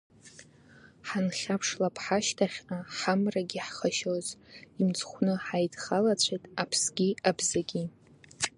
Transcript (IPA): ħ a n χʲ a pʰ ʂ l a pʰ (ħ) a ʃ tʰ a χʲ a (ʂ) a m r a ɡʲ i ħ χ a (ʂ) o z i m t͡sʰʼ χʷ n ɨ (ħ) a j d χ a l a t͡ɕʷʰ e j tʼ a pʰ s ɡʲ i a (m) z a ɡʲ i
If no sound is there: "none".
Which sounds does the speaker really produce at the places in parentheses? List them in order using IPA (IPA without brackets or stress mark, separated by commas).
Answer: ħ, ħ, ʃ, ħ, b